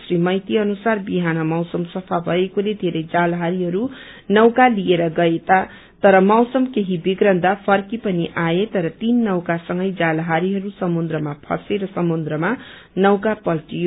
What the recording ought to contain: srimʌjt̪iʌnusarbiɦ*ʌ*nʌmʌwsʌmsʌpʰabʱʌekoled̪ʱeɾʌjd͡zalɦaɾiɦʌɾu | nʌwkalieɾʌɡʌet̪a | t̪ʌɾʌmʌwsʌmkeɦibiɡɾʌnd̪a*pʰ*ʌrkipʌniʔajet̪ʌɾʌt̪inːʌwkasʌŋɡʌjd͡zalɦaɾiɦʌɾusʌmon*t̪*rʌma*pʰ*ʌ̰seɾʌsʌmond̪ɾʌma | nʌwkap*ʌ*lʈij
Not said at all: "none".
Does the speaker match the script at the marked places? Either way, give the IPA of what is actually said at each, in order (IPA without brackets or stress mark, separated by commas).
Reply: a, pʰ, d̪, pʰ, ʌ